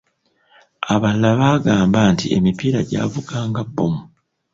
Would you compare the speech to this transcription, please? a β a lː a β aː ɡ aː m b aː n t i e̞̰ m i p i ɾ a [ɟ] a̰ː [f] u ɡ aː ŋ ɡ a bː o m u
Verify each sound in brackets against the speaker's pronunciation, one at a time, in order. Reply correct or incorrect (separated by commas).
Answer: correct, incorrect